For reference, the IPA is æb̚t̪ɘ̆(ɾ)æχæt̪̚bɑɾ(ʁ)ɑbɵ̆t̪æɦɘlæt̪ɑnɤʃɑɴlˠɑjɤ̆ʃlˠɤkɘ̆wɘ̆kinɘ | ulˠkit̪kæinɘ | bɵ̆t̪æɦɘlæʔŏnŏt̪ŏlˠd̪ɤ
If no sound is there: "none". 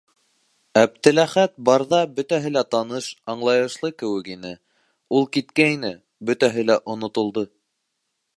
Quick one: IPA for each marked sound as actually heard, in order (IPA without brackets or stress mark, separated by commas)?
l, ð